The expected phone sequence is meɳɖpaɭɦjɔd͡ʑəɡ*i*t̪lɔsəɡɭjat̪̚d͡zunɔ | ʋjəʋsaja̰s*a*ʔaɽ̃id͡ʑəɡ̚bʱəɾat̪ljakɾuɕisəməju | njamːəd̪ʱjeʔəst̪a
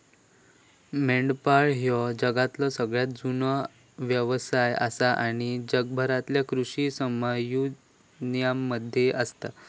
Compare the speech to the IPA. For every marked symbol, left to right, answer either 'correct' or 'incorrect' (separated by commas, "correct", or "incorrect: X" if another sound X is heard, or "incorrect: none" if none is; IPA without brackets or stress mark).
incorrect: a, correct